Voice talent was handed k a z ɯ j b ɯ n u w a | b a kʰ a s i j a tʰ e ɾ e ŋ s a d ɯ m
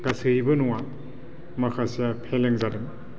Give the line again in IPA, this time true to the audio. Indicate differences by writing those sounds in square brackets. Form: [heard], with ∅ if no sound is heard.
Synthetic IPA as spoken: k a [s] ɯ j b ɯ n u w a | [m] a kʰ a s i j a [pʰ] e [l] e ŋ [z] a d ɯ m